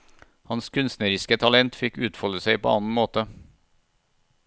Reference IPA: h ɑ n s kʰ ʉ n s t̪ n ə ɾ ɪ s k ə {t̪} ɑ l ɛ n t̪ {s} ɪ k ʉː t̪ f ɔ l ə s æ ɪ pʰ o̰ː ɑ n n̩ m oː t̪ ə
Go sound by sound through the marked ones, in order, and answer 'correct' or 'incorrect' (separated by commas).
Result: incorrect, incorrect